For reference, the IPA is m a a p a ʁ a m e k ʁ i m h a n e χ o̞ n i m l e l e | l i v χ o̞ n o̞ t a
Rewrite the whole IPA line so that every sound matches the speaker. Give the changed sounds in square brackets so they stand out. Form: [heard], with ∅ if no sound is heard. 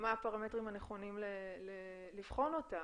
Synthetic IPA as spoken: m a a p a ʁ a m e [t] ʁ i m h a n e χ o̞ n i m l e l e | l i v χ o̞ n o̞ t a